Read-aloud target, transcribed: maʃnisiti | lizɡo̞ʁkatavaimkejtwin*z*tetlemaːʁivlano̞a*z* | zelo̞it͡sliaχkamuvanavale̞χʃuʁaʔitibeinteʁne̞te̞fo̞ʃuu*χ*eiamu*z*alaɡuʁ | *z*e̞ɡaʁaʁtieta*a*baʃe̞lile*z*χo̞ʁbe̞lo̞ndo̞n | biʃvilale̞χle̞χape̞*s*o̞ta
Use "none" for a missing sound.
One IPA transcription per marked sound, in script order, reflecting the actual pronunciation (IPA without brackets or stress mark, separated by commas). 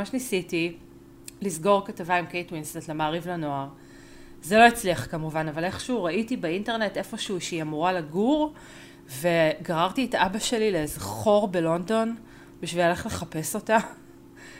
s, ʁ, ʃ, ʁ, v, a, z, s